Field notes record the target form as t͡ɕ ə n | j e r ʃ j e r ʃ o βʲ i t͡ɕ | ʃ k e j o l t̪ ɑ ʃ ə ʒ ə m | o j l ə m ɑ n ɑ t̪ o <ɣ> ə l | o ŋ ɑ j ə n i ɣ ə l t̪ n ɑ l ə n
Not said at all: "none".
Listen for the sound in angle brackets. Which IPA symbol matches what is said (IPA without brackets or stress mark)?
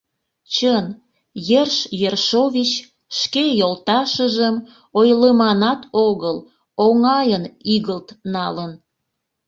ɣ